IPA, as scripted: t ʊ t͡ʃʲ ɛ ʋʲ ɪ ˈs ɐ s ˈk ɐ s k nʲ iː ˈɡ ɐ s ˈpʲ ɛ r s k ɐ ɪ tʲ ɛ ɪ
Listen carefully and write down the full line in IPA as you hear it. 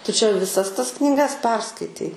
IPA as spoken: t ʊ t͡ʃʲ ɛ ʋʲ ɪ ˈs ɐ s ˈt ɐ s k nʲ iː ˈɡ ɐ s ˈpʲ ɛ r s k ɐ ɪ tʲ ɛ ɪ